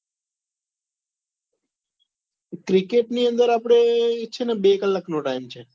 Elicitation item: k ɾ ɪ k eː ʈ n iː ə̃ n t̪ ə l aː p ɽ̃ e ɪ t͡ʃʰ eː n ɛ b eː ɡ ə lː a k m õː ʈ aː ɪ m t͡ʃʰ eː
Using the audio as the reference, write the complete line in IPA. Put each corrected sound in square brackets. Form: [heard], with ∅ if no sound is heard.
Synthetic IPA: k ɾ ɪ k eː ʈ n iː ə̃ n [d̪] ə [ɾ] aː p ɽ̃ e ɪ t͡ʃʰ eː n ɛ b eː [k] ə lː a k [n] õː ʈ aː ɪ m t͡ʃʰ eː